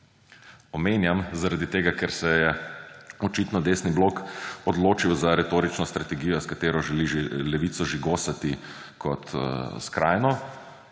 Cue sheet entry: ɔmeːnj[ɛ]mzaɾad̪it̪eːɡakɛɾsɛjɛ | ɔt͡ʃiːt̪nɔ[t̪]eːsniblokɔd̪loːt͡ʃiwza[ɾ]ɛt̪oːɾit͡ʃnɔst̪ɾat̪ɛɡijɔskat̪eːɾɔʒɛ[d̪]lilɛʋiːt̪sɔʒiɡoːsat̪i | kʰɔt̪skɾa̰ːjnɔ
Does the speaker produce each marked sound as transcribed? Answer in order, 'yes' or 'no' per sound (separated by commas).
no, no, yes, no